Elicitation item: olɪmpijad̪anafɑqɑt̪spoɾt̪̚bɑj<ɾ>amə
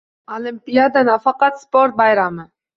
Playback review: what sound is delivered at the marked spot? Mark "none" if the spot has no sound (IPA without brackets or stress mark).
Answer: ɾ